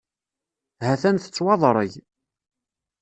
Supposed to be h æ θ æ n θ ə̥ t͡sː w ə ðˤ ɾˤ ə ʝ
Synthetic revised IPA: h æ θ æ n θ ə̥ t͡sː w ɑ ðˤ ɾˤ ə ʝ